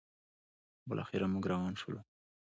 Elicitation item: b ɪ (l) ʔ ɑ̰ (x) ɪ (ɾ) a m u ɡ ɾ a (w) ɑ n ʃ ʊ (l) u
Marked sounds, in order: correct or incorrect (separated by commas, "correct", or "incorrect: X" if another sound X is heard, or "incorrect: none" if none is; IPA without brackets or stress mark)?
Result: correct, correct, correct, correct, correct